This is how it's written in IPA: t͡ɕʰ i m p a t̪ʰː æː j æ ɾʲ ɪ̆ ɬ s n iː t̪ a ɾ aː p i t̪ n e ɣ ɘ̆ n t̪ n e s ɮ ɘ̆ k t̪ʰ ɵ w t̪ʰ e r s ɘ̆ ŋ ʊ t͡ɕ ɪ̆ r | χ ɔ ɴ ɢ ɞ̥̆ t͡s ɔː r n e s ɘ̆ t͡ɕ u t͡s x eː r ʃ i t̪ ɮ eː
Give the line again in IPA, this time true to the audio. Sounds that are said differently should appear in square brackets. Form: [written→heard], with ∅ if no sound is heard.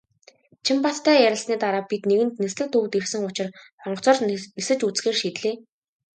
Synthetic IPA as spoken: t͡ɕʰ i m p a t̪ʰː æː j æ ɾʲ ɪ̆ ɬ s n iː t̪ a ɾ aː p i t̪ n e ɣ ɘ̆ n t̪ n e s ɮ ɘ̆ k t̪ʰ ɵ w [t̪ʰ→t̪] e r s ɘ̆ ŋ ʊ t͡ɕ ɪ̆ r | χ ɔ ɴ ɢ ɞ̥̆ t͡s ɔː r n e s ɘ̆ t͡ɕ u t͡s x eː r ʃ i t̪ ɮ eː